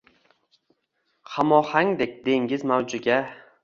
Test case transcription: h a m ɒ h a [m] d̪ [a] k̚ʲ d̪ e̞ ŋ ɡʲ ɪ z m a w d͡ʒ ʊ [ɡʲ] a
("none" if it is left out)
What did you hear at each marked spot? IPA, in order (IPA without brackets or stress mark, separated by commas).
ŋ, e, ɡʲ